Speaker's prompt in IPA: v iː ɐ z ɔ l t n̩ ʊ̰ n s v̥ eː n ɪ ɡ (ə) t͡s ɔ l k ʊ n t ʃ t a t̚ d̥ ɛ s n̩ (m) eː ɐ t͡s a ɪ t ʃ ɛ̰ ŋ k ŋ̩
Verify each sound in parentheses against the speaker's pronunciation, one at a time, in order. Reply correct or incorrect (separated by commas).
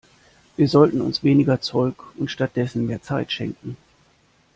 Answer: incorrect, correct